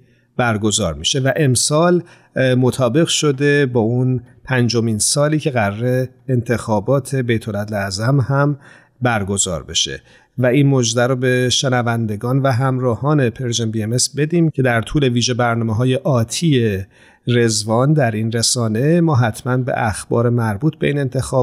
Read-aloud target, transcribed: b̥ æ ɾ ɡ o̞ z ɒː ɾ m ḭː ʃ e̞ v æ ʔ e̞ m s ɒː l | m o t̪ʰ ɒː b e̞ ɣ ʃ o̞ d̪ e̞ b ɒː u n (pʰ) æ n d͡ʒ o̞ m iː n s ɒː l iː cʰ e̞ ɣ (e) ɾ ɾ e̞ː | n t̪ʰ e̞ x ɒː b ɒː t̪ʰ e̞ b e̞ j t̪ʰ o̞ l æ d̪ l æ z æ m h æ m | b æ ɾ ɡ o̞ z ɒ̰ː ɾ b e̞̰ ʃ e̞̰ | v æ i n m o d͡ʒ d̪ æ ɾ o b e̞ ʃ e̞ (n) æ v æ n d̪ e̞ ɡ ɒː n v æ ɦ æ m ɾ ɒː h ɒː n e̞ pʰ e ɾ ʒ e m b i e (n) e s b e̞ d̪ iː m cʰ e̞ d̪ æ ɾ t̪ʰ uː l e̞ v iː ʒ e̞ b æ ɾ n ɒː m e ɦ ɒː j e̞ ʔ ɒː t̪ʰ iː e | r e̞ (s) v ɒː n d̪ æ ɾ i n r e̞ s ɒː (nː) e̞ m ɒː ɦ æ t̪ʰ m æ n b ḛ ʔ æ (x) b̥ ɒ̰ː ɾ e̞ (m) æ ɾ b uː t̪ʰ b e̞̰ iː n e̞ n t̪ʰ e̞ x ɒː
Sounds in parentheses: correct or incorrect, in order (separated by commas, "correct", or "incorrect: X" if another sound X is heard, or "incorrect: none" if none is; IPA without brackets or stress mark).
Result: correct, incorrect: æ, correct, incorrect: m, incorrect: z, incorrect: n, correct, correct